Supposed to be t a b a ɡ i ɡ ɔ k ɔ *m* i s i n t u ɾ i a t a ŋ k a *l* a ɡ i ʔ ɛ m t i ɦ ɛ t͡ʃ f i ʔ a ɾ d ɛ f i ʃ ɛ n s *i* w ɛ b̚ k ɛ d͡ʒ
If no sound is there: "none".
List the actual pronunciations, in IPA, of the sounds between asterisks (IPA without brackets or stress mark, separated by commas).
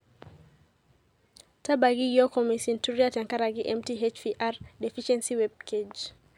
m, ɾ, i